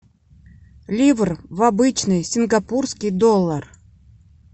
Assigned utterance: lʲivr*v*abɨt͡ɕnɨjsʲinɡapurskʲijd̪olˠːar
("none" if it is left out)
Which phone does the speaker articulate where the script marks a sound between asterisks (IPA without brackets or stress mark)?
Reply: v